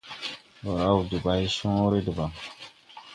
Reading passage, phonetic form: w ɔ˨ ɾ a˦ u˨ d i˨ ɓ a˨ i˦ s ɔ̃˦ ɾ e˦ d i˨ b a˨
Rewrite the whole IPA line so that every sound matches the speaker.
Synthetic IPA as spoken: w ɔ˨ ɾ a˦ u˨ d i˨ b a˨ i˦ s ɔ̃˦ ɾ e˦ d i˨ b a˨